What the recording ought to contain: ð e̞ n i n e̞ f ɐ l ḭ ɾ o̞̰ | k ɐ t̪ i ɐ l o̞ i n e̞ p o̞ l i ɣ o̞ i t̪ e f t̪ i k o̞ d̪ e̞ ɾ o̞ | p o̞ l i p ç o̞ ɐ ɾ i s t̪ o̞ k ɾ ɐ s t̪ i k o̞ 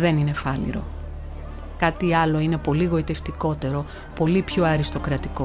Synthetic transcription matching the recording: ð e̞ n i n e̞ f ɐ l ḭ ɾ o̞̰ | k ɐ t̪ i ɐ l o̞ i n e̞ p o̞ l i ɣ o̞ i t̪ e f t̪ i k o̞ t̪ e̞ ɾ o̞ | p o̞ l i p ç o̞ ɐ ɾ i s t̪ o̞ k ɾ ɐ t̪ i k o̞